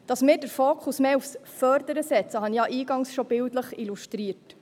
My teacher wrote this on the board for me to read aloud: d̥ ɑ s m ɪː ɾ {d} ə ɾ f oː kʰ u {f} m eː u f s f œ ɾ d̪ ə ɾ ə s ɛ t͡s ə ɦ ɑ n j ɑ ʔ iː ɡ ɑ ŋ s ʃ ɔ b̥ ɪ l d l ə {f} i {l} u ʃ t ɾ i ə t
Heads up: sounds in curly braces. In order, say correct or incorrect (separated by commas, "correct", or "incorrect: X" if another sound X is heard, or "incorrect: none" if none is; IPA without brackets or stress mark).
correct, incorrect: s, incorrect: χ, correct